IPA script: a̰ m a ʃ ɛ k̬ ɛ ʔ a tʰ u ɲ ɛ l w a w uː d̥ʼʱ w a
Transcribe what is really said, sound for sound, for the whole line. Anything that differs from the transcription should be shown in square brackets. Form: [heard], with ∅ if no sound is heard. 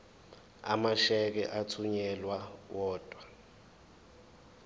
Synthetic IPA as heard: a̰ m a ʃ ɛ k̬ ɛ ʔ a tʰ u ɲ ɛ l w a w [ɔː] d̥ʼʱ w a